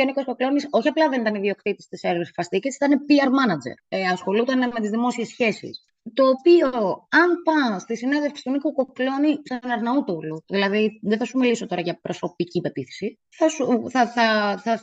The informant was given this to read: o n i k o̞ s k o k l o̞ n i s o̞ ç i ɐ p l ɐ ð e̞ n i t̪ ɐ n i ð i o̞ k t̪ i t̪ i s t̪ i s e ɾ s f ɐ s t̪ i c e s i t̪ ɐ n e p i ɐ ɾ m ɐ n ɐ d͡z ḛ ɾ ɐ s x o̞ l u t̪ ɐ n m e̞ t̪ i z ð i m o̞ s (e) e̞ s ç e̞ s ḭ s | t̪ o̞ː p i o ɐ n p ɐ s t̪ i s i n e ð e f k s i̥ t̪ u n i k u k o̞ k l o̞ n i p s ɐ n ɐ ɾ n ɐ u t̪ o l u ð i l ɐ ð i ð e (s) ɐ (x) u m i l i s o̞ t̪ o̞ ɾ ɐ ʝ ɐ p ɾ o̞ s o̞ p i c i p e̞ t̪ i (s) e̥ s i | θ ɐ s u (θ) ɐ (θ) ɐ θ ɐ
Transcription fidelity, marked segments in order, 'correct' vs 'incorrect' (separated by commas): incorrect, incorrect, incorrect, incorrect, correct, correct